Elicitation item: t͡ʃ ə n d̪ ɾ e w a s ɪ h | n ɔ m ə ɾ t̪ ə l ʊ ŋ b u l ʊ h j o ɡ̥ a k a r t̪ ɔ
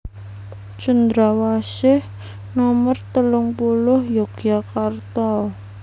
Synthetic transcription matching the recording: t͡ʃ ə n d̪ ɾ a w a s ɪ h | n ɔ m ə r t̪ ə l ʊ ŋ p u l ʊ h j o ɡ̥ a k a r t̪ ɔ